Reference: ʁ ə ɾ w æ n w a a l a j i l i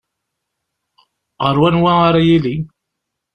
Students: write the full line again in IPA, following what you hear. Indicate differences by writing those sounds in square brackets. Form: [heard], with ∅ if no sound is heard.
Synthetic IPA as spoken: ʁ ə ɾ w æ n w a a [ɾ] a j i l i

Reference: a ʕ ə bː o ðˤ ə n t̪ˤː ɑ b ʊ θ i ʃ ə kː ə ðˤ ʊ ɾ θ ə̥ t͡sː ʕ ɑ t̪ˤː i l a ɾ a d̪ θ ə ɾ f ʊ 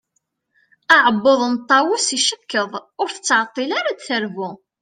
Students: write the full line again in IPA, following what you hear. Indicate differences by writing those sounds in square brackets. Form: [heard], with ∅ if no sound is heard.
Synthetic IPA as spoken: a ʕ ə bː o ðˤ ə n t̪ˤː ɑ [w] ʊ [s] i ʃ ə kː ə ðˤ ʊ ɾ θ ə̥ t͡sː ʕ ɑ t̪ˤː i l a ɾ a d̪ θ ə ɾ [v] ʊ

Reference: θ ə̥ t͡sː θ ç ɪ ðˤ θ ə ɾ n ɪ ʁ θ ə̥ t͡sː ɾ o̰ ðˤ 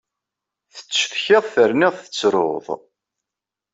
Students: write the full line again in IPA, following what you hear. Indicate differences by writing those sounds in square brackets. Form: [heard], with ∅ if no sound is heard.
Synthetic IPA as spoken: θ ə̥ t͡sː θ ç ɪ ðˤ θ ə ɾ n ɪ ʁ θ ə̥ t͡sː ɾ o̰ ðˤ

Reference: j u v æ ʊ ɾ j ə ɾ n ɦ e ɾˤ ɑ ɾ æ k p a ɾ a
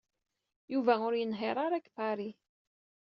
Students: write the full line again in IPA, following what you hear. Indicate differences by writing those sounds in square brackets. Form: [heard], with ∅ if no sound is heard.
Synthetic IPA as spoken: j u v æ ʊ ɾ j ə [∅] n ɦ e ɾˤ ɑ ɾ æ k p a ɾ [i]

